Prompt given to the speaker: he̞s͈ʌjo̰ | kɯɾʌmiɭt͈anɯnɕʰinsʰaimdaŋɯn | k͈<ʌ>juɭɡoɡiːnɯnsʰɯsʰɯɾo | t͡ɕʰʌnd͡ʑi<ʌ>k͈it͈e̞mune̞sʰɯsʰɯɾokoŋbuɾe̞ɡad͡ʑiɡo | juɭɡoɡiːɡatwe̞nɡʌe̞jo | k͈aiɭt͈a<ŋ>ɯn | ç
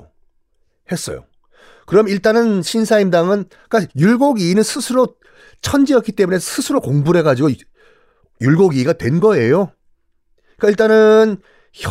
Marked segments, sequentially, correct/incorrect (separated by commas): incorrect, correct, incorrect